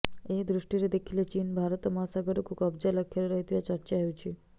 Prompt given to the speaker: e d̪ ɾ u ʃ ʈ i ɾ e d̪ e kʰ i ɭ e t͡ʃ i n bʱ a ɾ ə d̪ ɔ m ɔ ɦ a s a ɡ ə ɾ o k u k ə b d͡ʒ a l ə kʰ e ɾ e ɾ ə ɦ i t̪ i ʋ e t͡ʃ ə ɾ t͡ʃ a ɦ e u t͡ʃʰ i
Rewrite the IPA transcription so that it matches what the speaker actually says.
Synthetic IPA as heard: e d̪ ɾ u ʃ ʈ i ɾ e d̪ e kʰ i l e t͡ʃ i n bʱ a ɾ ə t̪ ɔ m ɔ ɦ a s a ɡ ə ɾ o k u k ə b d͡ʒ a l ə kʰ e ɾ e ɾ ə ɦ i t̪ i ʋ a t͡ʃ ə ɾ t͡ʃ a ɦ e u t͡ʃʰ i